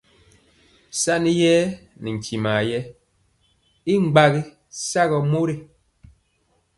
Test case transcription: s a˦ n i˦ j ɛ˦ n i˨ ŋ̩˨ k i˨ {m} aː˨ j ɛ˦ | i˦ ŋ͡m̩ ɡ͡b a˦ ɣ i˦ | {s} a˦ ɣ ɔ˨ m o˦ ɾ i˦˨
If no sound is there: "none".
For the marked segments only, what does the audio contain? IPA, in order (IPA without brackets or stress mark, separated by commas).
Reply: m, s